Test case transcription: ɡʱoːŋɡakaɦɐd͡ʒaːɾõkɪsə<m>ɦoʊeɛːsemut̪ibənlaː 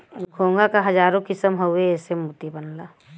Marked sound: correct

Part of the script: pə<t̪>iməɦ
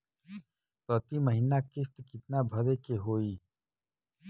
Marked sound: correct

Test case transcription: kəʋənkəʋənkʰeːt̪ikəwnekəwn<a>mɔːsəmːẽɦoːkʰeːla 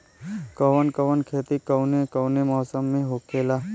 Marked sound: incorrect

